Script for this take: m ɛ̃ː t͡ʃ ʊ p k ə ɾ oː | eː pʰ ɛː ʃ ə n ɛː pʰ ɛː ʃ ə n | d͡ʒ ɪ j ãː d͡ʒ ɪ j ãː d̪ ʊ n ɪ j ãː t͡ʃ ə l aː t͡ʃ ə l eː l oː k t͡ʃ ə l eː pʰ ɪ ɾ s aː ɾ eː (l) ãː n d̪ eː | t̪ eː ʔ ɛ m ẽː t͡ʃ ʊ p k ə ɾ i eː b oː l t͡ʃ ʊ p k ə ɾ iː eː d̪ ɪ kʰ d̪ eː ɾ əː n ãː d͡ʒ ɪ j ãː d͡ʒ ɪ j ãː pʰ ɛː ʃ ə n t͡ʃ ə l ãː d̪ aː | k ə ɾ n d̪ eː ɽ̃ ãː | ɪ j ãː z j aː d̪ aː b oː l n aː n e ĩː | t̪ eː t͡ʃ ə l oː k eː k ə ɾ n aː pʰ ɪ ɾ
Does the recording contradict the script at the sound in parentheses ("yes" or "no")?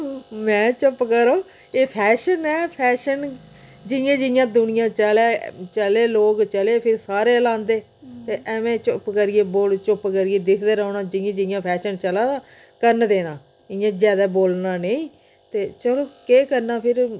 no